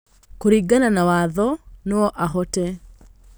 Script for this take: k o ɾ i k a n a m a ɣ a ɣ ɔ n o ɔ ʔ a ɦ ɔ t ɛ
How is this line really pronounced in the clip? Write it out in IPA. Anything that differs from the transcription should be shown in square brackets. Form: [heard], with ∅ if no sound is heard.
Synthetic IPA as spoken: k o ɾ i [ɡ] a n a [n] a [w] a [ð] ɔ n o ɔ ʔ a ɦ ɔ t ɛ